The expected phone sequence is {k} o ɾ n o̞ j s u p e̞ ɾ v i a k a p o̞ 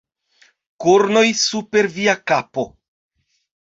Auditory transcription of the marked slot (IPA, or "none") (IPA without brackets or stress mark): k